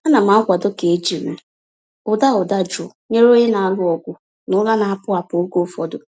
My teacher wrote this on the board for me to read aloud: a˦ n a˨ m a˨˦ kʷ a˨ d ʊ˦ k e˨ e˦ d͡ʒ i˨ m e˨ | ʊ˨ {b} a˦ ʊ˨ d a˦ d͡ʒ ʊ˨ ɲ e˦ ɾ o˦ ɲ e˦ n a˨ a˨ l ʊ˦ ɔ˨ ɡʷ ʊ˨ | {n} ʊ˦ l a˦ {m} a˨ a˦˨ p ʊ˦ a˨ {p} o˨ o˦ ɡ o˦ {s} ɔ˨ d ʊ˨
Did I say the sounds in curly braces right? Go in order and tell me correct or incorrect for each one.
incorrect, correct, incorrect, correct, incorrect

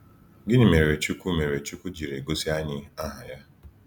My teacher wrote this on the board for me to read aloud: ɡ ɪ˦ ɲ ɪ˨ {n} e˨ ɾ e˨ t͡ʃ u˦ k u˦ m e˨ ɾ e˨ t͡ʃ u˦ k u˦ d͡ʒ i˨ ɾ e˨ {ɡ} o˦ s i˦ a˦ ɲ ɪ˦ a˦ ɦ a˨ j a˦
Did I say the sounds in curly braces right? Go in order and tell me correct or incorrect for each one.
incorrect, correct

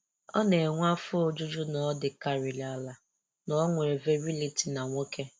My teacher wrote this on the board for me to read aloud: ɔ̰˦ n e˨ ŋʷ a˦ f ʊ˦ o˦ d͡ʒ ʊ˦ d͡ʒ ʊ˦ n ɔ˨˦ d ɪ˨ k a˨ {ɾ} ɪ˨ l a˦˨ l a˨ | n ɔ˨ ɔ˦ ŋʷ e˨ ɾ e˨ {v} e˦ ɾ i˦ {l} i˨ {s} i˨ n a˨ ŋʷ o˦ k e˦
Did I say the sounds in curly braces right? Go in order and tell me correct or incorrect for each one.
correct, correct, correct, incorrect

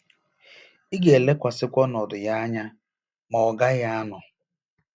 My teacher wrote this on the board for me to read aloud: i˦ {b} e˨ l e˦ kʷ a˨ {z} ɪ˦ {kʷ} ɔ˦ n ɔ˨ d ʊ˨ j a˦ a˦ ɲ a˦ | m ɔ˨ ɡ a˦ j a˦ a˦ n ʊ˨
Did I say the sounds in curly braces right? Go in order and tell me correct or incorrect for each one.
incorrect, incorrect, correct

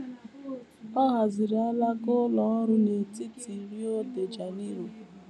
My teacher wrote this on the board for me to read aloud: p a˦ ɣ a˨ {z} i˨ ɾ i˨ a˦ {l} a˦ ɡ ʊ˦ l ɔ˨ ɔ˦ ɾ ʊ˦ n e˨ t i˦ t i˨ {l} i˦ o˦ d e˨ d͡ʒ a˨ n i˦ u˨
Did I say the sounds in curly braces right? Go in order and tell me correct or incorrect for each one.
correct, correct, incorrect

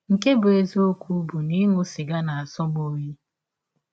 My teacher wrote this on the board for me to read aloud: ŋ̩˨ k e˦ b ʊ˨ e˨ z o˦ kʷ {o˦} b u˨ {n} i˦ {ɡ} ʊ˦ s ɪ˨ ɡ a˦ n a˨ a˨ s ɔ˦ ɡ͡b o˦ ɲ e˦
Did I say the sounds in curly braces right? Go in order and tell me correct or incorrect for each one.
incorrect, correct, incorrect

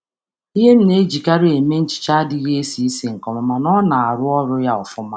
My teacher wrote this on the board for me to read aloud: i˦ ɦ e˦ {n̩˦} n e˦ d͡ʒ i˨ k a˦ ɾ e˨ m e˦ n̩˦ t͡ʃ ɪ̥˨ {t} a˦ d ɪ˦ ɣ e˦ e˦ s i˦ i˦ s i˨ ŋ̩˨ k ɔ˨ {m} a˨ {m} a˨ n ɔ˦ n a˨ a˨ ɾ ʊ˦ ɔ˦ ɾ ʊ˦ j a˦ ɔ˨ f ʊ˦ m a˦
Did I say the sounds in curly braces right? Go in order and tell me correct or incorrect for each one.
incorrect, incorrect, correct, correct

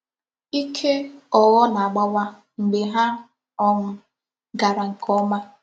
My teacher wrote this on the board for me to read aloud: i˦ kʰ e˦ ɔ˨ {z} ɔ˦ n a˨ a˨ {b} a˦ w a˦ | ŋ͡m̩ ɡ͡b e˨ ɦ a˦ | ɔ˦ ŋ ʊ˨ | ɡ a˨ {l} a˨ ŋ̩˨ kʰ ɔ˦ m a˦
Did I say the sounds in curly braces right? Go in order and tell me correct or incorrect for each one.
incorrect, incorrect, incorrect

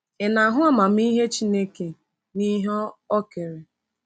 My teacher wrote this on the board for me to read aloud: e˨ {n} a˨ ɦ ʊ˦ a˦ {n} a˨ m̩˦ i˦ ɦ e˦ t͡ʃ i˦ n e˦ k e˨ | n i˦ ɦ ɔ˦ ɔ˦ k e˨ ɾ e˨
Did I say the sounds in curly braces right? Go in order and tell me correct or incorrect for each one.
correct, incorrect

